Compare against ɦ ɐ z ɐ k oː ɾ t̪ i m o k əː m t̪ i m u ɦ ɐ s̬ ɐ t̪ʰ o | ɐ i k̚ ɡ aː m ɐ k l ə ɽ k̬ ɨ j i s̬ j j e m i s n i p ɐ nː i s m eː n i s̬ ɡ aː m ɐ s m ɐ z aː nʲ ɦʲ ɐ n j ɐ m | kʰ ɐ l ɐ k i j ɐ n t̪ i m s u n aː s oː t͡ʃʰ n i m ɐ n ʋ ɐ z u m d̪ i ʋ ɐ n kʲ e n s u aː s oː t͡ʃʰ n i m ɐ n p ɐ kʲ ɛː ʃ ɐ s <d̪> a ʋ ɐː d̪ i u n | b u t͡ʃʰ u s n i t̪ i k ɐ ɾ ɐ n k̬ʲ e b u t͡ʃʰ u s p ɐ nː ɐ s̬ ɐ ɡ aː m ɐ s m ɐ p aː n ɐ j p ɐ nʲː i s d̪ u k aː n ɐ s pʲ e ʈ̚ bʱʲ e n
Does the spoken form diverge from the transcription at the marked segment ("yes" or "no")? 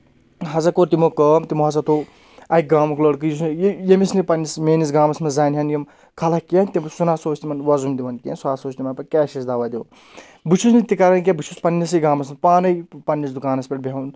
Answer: no